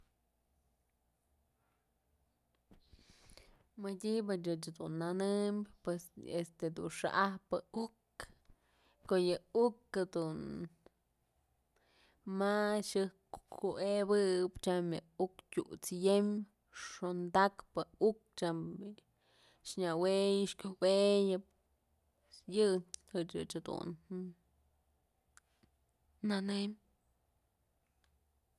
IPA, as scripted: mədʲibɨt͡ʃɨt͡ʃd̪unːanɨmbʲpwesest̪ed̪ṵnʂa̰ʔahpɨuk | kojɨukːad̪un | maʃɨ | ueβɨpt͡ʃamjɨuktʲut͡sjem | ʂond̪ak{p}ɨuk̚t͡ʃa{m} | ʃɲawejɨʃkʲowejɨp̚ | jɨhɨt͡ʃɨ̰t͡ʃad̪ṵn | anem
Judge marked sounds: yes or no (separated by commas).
yes, yes